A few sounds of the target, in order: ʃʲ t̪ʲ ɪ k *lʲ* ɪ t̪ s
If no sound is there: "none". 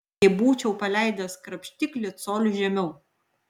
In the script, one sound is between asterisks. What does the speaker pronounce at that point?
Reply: lʲ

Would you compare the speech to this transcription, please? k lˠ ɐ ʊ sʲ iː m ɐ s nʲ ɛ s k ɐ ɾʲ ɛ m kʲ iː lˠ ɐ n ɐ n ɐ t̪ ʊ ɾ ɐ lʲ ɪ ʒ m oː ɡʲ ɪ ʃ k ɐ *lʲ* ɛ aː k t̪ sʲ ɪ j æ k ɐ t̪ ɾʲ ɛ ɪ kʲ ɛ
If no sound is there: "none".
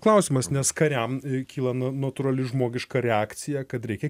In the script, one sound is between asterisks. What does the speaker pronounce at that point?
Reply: ɾʲ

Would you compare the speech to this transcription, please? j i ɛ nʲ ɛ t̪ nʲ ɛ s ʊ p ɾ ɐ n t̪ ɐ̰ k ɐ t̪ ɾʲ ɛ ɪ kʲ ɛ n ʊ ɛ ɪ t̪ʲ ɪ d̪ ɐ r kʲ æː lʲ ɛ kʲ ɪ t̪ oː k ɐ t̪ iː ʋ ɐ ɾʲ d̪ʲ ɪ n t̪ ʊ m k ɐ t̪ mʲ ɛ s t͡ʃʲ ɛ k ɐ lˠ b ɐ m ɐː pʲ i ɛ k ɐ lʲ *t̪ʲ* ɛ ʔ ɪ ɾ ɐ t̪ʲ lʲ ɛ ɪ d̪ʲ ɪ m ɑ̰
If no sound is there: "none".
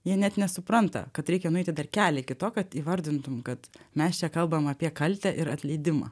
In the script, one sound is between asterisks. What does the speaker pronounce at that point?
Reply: t̪ʲ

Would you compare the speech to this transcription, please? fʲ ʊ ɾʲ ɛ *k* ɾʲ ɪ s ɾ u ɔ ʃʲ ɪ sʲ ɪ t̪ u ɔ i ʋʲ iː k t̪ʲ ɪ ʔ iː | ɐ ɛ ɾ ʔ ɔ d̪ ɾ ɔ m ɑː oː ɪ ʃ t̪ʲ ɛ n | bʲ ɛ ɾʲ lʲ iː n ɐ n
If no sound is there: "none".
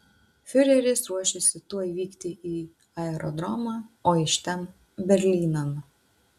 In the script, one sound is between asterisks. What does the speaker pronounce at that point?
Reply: none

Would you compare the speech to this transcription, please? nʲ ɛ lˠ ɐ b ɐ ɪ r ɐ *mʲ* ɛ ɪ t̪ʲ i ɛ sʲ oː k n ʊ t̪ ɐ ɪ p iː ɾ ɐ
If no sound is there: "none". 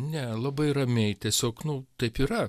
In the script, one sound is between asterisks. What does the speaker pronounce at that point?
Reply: mʲ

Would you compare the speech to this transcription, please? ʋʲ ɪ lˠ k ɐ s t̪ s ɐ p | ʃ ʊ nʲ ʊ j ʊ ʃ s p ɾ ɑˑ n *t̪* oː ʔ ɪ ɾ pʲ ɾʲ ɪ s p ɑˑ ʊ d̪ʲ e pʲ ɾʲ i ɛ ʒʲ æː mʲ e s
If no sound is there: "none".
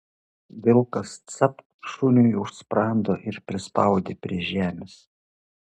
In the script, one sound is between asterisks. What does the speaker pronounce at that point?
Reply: d̪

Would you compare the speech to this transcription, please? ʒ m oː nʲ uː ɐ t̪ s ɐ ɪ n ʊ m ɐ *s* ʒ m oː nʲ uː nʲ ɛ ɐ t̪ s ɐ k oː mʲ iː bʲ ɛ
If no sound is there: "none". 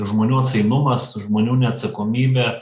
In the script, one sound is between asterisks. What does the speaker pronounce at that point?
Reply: s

